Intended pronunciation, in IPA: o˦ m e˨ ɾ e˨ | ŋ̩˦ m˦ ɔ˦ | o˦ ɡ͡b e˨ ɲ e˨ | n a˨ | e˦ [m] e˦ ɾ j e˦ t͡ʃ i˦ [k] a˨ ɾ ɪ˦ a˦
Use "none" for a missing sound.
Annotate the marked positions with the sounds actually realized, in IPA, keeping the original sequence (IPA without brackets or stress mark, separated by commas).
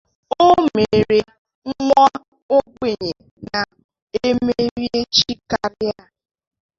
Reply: m, k